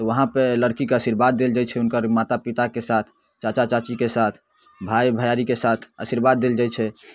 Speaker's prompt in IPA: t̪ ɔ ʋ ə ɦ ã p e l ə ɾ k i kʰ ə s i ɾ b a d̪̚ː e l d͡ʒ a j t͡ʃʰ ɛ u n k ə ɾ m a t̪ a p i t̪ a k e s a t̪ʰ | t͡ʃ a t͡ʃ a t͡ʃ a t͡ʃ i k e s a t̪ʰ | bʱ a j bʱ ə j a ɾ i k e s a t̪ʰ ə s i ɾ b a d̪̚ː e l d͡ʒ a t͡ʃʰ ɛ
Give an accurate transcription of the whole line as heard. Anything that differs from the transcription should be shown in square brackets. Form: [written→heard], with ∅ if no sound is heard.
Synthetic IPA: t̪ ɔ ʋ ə ɦ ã p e l ə ɾ k i [kʰ→k] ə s i ɾ b a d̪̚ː e l d͡ʒ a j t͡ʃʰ ɛ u n k ə ɾ m a t̪ a p i t̪ a k e s a t̪ʰ | t͡ʃ a t͡ʃ a t͡ʃ a t͡ʃ i k e s a t̪ʰ | bʱ a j bʱ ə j a ɾ i k e s a t̪ʰ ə s i ɾ b a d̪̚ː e l d͡ʒ a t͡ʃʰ ɛ